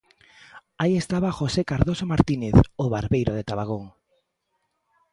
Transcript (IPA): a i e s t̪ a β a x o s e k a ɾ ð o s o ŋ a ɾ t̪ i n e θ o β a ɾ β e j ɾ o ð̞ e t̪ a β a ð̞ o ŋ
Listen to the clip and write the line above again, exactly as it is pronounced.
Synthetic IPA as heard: a i e s t̪ a β a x o s e k a ɾ ð o s o m a ɾ t̪ i n e θ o β a ɾ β e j ɾ o ð̞ e t̪ a β a ɣ̞ o ŋ